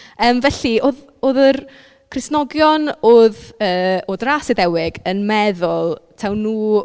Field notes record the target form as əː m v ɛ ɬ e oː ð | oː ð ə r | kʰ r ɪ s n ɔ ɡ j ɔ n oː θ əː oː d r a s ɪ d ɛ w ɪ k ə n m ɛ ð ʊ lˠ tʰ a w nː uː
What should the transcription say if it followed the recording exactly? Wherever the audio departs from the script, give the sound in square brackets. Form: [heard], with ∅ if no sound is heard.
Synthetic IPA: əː m v ɛ ɬ [i] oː ð | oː ð ə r | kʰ r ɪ s n ɔ ɡ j ɔ n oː [ð] əː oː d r a s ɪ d ɛ w ɪ [ɡ] ə n m ɛ ð ʊ lˠ tʰ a w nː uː